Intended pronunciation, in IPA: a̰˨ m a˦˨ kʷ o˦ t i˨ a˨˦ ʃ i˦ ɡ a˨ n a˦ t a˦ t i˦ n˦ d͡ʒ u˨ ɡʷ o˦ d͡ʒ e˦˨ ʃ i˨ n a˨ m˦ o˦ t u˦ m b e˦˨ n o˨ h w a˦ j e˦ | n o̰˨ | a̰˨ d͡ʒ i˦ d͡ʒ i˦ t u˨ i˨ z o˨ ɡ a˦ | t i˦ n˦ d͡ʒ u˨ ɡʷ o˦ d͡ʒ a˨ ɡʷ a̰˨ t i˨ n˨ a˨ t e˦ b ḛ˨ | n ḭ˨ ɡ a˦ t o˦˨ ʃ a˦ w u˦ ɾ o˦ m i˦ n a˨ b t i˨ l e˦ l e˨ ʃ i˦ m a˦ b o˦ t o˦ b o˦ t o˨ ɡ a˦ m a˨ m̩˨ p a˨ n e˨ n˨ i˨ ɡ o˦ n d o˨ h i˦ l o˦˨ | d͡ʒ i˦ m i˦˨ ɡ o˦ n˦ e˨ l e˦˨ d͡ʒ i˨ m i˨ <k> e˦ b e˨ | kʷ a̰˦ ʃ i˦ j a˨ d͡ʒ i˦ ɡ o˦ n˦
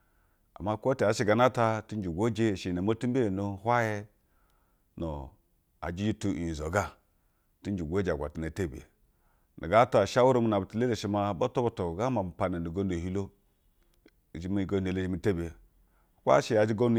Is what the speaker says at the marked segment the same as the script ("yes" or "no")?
no